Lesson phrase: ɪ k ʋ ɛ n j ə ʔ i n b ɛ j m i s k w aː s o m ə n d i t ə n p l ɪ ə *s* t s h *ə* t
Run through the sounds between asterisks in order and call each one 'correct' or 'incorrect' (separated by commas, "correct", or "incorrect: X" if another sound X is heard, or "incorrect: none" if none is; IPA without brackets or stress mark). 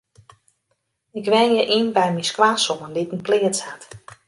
incorrect: none, incorrect: a